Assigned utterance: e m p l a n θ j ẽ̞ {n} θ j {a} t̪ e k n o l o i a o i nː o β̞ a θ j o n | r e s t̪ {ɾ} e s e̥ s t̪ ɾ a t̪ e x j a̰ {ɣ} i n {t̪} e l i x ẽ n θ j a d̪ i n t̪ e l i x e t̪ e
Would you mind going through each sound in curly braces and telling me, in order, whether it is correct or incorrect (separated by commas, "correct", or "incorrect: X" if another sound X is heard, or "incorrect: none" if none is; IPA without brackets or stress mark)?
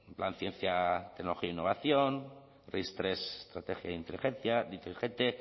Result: correct, correct, correct, incorrect: ð, correct